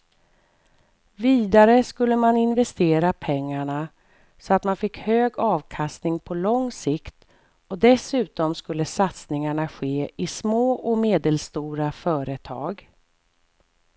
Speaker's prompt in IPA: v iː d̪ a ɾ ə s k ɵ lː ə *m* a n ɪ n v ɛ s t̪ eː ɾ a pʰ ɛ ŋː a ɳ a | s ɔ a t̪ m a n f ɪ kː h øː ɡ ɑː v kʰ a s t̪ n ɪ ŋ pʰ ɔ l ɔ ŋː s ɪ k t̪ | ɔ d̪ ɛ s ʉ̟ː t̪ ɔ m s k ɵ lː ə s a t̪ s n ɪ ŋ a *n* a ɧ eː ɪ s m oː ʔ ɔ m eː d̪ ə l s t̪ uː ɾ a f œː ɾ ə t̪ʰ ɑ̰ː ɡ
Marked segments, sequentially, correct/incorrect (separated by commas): correct, incorrect